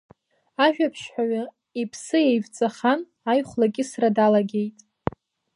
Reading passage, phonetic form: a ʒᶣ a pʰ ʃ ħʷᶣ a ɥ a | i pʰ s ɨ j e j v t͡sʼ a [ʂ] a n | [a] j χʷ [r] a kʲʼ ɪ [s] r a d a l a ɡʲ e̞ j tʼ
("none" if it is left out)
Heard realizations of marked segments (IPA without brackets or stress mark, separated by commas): χ, a, l, s